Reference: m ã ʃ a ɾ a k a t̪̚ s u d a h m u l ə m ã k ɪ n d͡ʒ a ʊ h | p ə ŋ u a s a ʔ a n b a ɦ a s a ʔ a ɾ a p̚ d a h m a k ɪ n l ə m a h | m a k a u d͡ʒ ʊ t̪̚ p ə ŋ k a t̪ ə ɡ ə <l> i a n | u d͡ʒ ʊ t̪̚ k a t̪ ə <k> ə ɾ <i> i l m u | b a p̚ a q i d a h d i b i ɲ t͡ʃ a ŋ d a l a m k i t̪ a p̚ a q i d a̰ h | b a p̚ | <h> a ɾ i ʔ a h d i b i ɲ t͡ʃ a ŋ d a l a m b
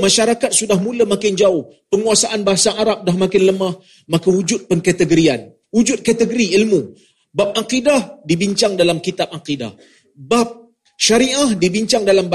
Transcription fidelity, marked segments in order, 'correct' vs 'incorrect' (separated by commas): incorrect, incorrect, correct, incorrect